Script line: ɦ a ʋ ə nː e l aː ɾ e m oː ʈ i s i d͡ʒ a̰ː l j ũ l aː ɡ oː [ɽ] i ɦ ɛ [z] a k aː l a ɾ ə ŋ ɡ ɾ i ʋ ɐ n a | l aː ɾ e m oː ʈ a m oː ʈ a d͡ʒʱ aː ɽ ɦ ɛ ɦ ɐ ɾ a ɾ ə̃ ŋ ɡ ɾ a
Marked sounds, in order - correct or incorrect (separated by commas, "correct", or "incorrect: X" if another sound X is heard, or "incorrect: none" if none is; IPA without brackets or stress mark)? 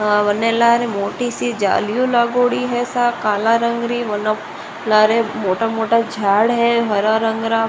correct, incorrect: s